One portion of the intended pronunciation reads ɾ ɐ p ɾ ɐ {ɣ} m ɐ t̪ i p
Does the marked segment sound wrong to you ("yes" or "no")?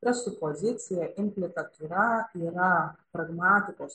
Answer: no